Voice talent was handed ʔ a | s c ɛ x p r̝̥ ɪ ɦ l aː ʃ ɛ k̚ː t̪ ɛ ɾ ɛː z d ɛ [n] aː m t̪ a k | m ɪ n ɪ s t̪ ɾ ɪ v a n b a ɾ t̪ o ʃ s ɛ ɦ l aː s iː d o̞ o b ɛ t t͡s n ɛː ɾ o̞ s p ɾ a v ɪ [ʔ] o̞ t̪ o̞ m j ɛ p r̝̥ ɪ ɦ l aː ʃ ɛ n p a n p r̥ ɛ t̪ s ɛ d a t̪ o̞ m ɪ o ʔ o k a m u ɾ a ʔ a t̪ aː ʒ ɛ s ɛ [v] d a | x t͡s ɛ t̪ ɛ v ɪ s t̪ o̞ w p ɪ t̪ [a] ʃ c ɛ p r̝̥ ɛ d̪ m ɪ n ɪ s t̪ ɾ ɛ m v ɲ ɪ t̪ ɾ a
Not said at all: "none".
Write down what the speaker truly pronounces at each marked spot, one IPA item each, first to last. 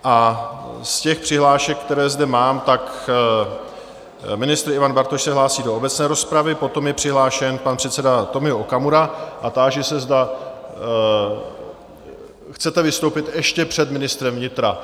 m, p, z, ɛ

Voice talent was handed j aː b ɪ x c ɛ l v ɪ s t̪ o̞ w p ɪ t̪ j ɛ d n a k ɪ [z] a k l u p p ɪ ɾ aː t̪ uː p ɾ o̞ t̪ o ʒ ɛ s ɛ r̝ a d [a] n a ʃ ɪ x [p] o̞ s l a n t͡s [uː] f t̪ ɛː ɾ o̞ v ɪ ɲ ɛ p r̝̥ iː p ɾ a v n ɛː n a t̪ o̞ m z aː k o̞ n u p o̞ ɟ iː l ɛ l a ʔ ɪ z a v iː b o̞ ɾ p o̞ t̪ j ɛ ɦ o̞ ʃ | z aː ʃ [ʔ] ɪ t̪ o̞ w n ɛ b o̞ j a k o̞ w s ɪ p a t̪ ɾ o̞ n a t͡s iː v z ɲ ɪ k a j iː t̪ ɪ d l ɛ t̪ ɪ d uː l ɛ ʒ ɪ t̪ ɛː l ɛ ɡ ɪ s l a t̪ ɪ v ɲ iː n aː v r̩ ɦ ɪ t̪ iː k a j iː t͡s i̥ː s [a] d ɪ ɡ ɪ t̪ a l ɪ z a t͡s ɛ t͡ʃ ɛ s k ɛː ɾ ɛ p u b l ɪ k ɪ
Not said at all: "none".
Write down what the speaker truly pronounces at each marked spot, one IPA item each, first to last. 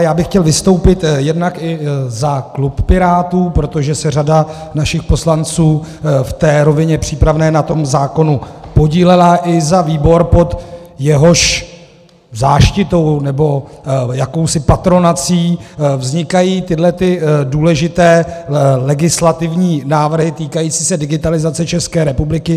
z, a, p, uː, c, ɛ

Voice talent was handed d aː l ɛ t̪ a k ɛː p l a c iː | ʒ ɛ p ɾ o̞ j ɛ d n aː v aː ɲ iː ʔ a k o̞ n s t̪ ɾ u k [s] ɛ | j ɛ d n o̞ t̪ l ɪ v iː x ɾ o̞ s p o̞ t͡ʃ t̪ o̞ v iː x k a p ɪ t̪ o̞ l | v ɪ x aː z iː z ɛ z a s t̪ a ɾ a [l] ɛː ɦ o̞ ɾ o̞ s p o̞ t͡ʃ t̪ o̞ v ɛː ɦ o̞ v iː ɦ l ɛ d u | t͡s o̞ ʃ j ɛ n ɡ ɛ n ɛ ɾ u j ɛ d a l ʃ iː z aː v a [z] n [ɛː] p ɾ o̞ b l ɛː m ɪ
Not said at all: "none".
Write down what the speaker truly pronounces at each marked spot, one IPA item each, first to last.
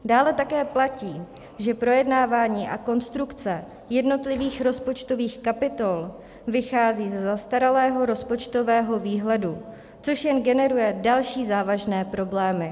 t͡s, l, ʒ, ɛː

